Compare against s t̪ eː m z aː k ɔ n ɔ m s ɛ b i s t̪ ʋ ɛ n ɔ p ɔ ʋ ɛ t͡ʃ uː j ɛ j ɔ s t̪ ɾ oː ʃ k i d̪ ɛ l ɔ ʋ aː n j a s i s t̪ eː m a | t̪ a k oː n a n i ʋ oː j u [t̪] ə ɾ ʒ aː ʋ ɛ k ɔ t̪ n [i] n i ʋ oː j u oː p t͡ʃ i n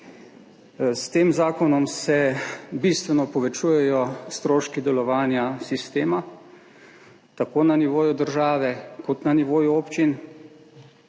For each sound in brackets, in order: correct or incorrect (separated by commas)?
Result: incorrect, incorrect